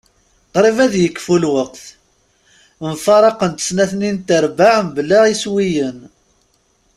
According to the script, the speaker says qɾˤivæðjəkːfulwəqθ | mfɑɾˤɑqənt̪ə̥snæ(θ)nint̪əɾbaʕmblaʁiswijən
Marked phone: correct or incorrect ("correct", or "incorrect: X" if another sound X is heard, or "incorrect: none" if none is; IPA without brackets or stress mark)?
correct